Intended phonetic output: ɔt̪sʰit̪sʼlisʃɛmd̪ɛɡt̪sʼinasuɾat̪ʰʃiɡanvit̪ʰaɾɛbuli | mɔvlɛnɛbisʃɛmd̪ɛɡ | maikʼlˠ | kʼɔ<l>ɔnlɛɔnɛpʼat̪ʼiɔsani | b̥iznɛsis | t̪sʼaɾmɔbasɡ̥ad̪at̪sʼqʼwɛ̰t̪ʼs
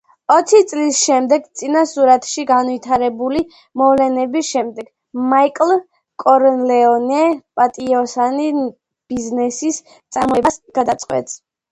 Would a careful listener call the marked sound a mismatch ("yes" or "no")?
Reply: yes